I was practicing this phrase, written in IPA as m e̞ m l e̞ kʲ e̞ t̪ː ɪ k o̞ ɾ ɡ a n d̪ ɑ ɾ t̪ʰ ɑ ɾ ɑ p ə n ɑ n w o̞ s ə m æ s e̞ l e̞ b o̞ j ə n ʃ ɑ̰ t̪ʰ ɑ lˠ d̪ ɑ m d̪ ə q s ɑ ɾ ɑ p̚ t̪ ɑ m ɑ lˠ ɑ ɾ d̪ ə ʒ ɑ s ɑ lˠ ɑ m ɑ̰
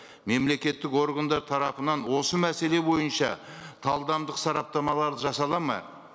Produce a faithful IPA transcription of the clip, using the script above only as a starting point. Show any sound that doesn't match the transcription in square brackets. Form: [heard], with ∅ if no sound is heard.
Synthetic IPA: m e̞ m l e̞ kʲ e̞ t̪ː ɪ k o̞ ɾ ɡ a n d̪ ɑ ɾ t̪ʰ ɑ ɾ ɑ p ə n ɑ n w o̞ s ə m æ s e̞ l e̞ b o̞ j ə n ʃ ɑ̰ t̪ʰ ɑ lˠ d̪ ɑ m d̪ ə q s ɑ ɾ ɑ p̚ t̪ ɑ m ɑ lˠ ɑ ɾ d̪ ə ʒ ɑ s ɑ lˠ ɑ m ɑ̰